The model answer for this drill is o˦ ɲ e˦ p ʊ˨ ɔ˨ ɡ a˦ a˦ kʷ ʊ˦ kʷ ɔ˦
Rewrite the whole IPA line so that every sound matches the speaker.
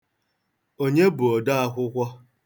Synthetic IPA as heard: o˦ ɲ e˦ b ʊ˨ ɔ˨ d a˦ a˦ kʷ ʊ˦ kʷ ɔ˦